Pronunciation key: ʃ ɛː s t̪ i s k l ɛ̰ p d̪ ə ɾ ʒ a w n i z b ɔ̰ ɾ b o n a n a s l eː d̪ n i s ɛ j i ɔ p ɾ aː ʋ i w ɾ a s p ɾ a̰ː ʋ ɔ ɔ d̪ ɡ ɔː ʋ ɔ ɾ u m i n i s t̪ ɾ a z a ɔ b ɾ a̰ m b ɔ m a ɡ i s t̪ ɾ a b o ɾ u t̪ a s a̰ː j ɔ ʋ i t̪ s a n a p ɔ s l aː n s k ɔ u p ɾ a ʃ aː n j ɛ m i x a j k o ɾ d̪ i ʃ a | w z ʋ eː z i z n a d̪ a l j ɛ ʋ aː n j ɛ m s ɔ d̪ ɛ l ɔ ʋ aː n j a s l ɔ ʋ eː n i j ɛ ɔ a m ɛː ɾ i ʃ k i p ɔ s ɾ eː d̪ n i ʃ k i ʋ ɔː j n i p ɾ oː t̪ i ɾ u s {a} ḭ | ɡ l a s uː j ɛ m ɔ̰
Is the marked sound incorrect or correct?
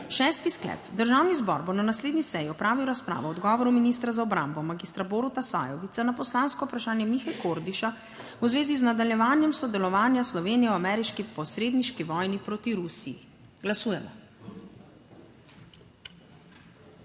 incorrect